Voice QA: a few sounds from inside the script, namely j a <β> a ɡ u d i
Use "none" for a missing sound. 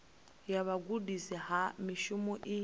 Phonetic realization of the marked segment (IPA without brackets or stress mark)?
β